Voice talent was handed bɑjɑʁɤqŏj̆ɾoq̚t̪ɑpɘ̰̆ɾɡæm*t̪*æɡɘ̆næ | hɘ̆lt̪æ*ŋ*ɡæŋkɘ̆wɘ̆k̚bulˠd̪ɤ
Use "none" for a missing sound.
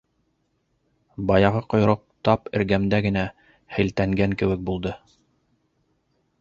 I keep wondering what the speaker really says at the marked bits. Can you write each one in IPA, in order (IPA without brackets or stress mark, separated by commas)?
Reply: d̪, ŋ